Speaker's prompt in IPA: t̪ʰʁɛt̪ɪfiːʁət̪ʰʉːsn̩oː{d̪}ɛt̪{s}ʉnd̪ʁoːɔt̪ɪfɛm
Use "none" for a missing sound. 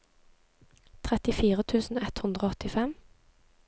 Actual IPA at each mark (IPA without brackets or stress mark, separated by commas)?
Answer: none, h